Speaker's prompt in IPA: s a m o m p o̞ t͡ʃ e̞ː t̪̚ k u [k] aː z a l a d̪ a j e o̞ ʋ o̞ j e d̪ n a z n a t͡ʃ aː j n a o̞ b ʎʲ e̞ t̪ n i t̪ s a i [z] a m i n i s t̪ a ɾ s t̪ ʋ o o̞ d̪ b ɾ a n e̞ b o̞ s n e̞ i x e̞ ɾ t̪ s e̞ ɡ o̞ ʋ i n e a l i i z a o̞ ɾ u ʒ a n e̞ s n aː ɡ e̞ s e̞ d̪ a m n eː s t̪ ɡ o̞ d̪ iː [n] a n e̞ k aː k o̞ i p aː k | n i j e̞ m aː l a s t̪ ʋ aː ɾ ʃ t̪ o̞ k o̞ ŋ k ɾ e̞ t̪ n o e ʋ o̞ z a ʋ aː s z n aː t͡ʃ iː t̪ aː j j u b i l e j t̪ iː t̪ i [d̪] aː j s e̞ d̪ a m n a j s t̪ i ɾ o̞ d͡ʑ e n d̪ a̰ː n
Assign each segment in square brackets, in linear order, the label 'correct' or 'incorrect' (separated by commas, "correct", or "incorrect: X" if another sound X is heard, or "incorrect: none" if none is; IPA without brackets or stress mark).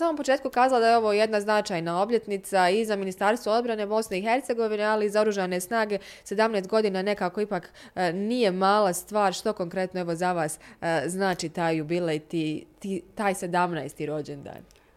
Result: correct, correct, correct, incorrect: t̪